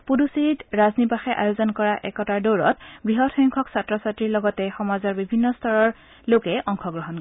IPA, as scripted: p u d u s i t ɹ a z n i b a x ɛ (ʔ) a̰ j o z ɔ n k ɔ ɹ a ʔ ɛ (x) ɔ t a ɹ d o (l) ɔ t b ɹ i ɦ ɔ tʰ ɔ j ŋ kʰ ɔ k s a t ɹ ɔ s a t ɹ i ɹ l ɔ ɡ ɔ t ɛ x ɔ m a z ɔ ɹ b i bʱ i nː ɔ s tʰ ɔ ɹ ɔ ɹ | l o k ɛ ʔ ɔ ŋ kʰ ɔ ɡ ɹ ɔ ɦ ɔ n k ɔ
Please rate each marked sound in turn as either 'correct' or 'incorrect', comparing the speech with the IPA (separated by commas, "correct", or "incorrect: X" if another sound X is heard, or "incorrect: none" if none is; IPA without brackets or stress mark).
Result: correct, incorrect: k, incorrect: ɹ